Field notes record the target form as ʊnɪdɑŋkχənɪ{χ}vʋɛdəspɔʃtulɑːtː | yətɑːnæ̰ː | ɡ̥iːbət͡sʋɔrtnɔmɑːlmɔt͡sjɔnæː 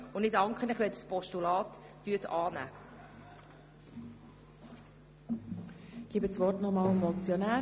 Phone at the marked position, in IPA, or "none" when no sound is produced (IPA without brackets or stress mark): χ